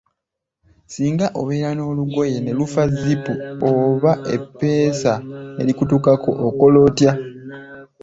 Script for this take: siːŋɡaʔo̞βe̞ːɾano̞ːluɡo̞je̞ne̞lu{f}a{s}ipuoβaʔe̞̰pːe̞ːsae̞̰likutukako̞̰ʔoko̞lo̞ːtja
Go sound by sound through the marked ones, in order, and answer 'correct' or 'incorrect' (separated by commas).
correct, incorrect